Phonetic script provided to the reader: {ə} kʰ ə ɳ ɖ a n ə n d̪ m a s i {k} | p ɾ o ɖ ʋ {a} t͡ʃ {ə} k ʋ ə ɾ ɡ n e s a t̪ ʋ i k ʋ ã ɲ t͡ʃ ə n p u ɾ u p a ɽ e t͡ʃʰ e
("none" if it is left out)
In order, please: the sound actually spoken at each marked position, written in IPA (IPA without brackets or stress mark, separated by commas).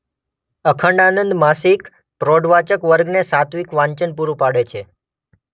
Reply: ə, k, a, ə